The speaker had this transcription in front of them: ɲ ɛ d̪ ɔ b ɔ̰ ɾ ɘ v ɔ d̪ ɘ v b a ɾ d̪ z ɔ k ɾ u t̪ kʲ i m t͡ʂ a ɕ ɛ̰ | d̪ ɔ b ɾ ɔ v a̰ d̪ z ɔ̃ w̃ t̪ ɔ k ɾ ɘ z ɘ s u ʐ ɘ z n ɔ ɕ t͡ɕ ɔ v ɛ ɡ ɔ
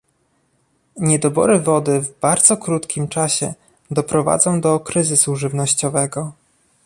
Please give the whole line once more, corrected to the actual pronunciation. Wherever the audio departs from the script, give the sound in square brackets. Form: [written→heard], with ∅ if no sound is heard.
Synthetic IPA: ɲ ɛ d̪ ɔ b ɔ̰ ɾ ɘ v ɔ d̪ ɘ v b a ɾ d̪ z ɔ k ɾ u t̪ kʲ i m t͡ʂ a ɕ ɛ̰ | d̪ ɔ [b→p] ɾ ɔ v a̰ d̪ z ɔ̃ w̃ [t̪→d̪] ɔ k ɾ ɘ z ɘ s u ʐ ɘ [z→v] n ɔ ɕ t͡ɕ ɔ v ɛ ɡ ɔ